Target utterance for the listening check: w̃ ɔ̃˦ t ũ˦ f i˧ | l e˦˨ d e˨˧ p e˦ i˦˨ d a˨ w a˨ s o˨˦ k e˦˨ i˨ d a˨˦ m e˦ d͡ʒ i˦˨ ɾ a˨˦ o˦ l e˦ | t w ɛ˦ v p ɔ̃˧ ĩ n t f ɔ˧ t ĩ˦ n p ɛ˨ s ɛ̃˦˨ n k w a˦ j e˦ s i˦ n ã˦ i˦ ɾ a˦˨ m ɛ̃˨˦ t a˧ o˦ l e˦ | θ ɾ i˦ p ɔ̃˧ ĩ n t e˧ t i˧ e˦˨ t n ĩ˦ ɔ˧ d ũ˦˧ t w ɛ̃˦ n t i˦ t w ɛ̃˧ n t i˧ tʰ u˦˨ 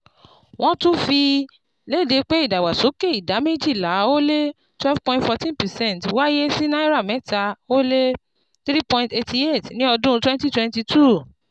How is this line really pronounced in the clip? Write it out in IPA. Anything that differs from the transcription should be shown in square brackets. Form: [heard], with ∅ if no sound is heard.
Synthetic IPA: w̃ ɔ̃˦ t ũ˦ f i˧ | l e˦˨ d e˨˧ [k͡p] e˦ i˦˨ d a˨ w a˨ s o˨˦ k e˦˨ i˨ d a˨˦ m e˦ d͡ʒ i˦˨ [l] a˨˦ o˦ l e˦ | t w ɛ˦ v p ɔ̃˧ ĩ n t f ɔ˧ t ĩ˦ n p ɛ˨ s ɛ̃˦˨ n [t] w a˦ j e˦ s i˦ n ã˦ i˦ ɾ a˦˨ m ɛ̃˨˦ t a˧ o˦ l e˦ | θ ɾ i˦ p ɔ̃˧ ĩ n t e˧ t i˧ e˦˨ t n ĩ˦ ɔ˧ d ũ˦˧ t w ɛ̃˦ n t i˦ t w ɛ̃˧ n t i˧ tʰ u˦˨